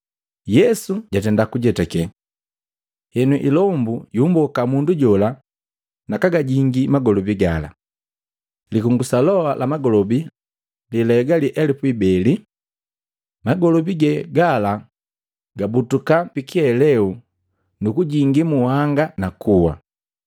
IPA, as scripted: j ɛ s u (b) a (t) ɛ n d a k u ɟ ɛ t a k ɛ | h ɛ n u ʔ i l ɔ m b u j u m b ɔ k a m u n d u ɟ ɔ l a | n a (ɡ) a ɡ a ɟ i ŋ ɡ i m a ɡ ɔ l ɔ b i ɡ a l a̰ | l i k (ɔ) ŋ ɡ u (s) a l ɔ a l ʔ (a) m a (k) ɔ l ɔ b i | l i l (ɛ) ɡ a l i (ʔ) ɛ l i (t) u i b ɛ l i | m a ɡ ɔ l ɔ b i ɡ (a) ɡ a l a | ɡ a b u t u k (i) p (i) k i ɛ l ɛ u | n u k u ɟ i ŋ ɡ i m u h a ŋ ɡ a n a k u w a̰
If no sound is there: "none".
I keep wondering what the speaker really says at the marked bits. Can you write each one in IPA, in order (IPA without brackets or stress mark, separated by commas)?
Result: ɟ, t, k, u, s, a, ɡ, ɛ, ʔ, p, ɛ, a, i